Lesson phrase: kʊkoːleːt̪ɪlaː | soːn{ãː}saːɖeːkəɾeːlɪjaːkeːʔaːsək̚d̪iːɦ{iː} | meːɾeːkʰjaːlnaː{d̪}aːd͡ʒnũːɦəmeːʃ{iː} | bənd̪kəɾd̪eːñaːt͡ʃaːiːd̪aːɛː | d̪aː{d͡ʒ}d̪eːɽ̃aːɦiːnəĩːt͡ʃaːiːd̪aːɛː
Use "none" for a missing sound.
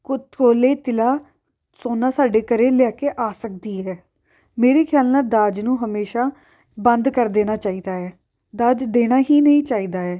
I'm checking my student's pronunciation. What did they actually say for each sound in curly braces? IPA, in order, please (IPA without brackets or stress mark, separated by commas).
aː, ɛː, d̪, aː, d͡ʒ